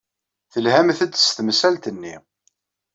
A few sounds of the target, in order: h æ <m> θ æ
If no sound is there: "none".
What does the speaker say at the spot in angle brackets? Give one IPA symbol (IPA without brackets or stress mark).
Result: m